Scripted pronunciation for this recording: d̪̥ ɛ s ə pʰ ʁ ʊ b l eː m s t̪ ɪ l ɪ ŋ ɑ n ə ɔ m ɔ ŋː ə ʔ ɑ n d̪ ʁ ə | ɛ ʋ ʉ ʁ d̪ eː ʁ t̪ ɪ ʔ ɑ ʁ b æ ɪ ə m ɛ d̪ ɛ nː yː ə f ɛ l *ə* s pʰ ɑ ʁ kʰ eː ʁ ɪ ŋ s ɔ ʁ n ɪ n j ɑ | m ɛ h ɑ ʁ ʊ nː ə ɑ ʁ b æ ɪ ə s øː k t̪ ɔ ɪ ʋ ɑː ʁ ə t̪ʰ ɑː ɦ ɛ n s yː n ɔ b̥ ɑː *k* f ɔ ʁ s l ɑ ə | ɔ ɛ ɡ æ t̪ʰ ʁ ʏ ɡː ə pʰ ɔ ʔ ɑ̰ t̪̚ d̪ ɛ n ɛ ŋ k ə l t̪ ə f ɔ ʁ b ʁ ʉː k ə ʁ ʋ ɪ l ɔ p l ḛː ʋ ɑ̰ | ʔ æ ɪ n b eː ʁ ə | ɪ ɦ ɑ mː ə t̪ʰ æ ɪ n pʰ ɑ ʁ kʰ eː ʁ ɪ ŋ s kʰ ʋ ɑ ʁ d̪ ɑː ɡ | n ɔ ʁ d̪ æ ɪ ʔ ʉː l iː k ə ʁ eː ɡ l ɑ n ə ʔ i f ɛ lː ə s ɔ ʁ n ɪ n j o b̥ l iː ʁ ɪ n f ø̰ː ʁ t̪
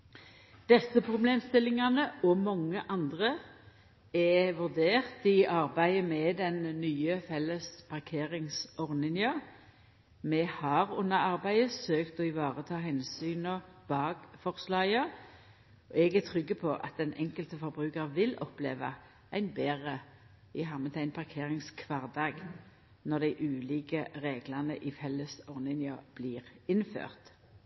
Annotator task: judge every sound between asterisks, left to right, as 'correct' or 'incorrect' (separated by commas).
correct, incorrect